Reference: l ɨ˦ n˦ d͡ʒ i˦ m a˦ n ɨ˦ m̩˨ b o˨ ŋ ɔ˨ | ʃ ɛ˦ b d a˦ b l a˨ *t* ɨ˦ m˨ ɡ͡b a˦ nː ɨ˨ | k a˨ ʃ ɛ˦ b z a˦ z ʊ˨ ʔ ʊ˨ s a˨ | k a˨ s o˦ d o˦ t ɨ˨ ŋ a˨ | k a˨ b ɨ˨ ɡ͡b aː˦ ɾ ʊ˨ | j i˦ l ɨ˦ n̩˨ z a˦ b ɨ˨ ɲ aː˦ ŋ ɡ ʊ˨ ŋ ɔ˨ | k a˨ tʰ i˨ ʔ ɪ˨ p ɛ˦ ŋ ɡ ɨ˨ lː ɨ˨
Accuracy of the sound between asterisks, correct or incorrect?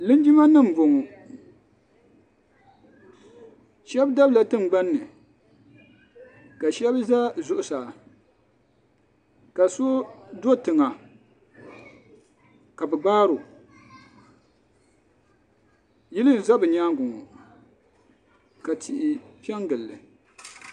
correct